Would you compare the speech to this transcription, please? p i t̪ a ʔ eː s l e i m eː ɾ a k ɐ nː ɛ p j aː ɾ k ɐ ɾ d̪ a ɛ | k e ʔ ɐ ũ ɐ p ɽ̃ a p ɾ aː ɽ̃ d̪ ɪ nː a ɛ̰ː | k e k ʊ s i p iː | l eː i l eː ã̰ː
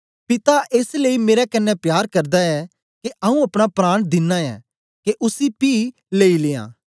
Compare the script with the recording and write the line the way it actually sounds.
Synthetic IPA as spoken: p ɪ t̪ a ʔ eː s l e i m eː ɾ ɛ k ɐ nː ɛ p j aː ɾ k ɐ ɾ d̪ a ɛ | k e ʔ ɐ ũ ɐ p ɽ̃ a p ɾ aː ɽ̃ d̪ ɪ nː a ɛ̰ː | k e ʔ ʊ s i p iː | l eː i l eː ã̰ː